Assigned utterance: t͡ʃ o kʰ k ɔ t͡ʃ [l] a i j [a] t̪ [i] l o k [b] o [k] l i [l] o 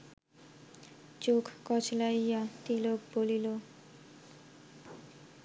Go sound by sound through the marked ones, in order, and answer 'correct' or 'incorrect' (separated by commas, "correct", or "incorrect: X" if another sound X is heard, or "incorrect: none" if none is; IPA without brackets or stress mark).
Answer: correct, correct, correct, correct, incorrect: none, correct